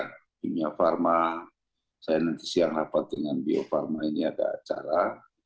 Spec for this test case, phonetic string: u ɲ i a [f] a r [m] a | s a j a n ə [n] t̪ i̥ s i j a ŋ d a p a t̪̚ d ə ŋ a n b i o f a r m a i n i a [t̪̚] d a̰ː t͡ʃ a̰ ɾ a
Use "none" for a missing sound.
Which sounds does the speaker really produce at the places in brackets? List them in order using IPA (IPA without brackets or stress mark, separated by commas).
f, m, n, none